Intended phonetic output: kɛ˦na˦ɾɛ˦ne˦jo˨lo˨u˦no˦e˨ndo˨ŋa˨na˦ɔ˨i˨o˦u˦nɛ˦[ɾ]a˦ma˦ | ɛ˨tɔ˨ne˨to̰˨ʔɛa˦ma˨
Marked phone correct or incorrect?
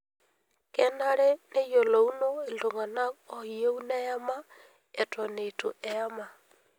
incorrect